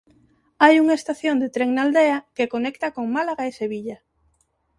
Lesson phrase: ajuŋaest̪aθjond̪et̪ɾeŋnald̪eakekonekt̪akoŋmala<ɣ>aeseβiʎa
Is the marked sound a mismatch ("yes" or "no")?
no